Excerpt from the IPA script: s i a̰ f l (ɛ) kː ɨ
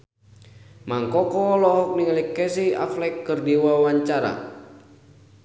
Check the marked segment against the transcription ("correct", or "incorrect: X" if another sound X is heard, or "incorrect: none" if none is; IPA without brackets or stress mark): correct